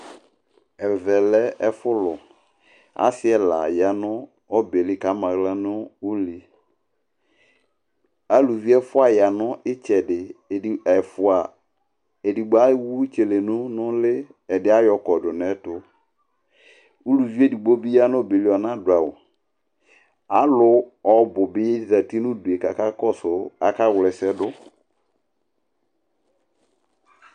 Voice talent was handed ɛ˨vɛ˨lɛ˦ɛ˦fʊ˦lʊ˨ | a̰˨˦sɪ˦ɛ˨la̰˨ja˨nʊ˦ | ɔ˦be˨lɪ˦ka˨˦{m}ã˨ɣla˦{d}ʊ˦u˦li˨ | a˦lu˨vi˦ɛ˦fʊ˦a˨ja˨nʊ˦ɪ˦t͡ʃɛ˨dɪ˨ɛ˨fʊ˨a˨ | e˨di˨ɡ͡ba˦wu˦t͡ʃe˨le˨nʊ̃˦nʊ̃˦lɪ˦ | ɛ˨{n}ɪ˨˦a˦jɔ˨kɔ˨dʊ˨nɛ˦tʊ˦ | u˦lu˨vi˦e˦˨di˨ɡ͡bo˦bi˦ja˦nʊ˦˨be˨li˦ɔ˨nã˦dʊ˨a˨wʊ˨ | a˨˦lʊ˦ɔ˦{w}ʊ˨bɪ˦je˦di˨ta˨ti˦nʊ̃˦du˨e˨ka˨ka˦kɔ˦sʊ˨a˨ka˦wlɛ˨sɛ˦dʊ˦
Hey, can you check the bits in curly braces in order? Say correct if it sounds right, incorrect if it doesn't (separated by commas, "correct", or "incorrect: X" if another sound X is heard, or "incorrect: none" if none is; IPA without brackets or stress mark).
correct, incorrect: n, incorrect: d, incorrect: b